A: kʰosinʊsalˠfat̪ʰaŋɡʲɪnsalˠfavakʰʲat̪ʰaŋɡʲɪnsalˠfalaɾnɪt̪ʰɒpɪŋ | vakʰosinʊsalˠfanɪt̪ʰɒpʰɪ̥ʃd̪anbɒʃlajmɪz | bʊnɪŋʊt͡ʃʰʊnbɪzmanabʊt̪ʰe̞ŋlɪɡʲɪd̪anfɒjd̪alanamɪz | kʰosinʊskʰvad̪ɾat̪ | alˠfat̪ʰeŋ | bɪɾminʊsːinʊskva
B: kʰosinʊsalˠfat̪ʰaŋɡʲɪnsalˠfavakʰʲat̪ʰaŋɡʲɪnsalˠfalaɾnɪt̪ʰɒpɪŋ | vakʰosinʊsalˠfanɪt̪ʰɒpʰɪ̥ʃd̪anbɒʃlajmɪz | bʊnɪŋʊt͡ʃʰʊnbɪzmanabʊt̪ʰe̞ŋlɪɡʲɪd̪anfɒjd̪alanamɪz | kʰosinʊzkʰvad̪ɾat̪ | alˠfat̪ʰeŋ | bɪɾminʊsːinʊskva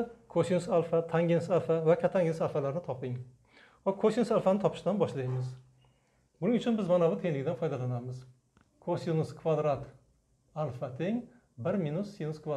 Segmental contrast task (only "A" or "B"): A